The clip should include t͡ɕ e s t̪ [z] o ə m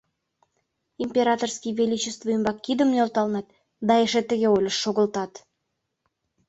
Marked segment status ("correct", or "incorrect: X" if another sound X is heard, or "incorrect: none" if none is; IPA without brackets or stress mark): incorrect: v